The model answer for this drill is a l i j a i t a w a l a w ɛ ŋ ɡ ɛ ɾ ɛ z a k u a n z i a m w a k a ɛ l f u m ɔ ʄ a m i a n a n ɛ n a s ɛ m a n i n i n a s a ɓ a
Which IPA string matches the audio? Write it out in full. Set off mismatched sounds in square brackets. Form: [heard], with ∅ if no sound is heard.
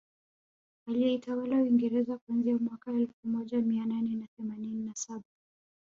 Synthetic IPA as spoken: a l i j [ɛ] i t a w a l a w [i] ŋ ɡ ɛ ɾ ɛ z a k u a n z i a m w a k a ɛ l f u m ɔ ʄ a m i a n a n ɛ n a [θ] ɛ m a n i n i n a s a ɓ a

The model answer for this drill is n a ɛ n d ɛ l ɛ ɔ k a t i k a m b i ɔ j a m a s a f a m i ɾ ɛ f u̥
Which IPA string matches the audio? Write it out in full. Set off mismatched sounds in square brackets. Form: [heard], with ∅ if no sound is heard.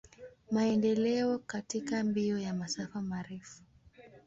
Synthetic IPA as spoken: [m] a ɛ n d ɛ l ɛ ɔ k a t i k a m b i ɔ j a m a s a f a m [a] ɾ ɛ f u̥

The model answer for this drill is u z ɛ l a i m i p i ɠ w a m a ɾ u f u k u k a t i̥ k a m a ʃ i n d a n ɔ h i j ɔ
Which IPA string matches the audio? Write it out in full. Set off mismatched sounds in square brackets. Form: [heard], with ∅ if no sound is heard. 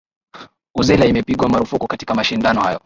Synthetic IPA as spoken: u z ɛ l a i m [ɛ] p i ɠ w a m a ɾ u f u k u k a t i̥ k a m a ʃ i n d a n ɔ h [a] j ɔ

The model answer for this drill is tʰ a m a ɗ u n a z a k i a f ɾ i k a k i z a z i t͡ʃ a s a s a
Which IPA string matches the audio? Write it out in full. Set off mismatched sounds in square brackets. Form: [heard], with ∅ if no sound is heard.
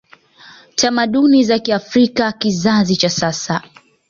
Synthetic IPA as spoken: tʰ a m a ɗ u n [i] z a k i a f ɾ i k a k i z a z i t͡ʃ a s a s a

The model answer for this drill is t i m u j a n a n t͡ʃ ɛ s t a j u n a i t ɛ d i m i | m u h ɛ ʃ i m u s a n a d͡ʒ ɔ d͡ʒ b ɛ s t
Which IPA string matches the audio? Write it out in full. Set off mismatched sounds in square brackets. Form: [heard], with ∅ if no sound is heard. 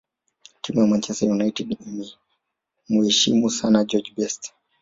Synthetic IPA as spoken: t i m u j a [m] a n t͡ʃ ɛ s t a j u n a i t ɛ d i m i | m u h ɛ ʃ i m u s a n a d͡ʒ ɔ d͡ʒ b ɛ s t

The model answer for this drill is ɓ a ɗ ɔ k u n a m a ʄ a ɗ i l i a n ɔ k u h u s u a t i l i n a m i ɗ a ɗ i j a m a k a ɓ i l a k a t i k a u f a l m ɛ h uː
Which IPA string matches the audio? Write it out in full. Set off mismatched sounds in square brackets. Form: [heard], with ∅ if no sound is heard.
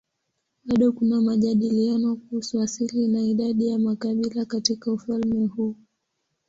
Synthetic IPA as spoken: ɓ a ɗ ɔ k u n a m a ʄ a ɗ i l i a n ɔ k u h u s u a [s] i l i n a [∅] i ɗ a ɗ i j a m a k a ɓ i l a k a t i k a u f a l m ɛ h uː

